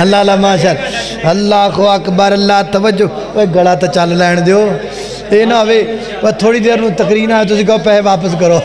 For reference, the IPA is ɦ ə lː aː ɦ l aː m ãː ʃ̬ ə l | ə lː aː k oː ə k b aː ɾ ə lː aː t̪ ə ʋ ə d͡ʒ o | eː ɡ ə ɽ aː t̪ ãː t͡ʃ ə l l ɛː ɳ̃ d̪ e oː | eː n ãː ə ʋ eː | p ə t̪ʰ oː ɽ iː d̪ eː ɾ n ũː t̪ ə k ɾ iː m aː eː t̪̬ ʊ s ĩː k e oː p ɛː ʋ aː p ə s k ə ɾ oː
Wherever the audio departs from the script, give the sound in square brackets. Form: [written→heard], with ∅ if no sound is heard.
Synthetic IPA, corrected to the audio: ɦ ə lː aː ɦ l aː m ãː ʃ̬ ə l | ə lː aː k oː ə k b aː ɾ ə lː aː t̪ ə ʋ ə d͡ʒ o | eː ɡ ə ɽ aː t̪ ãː t͡ʃ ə l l ɛː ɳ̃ d̪ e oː | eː n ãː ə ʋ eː | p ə t̪ʰ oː ɽ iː d̪ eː ɾ n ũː t̪ ə k ɾ iː [m→n] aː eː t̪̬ ʊ s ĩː k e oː p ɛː ʋ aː p ə s k ə ɾ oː